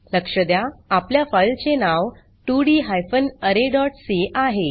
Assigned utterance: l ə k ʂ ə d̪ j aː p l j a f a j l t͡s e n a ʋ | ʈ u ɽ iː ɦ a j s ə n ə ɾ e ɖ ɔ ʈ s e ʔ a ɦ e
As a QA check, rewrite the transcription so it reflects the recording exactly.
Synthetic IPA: l ə k ʂ ə d̪ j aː p l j a f a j l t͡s e n a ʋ | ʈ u ɽ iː ɦ a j f ə n ə ɾ e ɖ ɔ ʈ s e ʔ a ɦ e